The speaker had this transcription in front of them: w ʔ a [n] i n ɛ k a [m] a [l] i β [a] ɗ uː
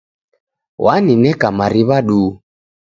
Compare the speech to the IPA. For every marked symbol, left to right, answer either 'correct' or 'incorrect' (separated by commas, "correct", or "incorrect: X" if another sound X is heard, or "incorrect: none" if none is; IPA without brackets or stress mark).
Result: correct, correct, incorrect: ɾ, correct